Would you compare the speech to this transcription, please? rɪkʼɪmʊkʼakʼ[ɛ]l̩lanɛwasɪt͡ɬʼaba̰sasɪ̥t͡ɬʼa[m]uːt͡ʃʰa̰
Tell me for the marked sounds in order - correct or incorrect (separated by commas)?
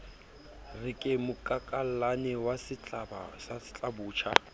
incorrect, incorrect